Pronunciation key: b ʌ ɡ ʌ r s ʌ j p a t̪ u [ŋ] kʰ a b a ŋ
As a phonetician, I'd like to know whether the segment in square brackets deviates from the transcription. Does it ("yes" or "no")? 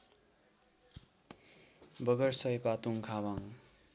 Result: no